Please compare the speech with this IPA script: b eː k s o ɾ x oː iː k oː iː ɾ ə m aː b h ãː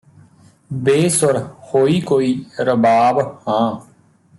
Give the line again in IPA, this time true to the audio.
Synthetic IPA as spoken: b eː s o ɾ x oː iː k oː iː ɾ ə b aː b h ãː